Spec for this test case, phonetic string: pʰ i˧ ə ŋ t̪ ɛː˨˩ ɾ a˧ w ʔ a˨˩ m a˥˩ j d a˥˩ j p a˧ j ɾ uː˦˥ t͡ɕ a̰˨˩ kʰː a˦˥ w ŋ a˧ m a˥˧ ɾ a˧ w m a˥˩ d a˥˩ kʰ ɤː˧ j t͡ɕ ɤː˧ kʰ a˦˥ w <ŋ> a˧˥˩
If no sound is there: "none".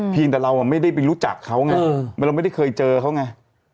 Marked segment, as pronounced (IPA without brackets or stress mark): ŋ